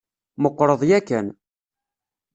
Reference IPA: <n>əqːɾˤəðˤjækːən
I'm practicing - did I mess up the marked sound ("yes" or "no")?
yes